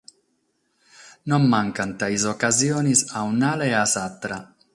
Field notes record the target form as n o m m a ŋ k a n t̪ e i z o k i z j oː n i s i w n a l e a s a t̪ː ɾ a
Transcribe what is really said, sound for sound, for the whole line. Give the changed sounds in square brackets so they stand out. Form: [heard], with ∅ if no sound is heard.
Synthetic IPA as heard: n o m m a ŋ k a n t̪ [a] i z o k [a] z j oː n i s [a] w n a l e a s a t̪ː ɾ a